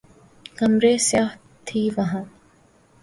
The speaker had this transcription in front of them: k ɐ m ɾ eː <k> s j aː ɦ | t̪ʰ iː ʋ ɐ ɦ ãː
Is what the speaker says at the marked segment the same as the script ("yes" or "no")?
no